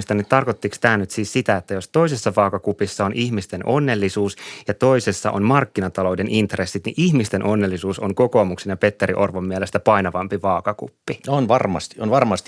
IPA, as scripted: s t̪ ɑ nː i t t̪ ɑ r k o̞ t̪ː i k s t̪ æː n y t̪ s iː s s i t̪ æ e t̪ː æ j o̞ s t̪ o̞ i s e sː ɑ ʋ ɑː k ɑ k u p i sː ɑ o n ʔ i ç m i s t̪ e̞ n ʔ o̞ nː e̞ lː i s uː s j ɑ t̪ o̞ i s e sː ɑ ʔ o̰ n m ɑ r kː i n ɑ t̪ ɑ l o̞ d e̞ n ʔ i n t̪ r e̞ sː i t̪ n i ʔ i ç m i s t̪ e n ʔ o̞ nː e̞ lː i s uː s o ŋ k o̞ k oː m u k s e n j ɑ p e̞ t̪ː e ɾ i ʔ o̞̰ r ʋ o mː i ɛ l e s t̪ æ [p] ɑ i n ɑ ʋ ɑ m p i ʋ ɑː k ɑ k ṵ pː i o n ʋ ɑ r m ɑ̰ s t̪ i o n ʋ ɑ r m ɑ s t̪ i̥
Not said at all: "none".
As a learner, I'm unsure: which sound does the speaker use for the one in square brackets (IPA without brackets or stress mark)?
p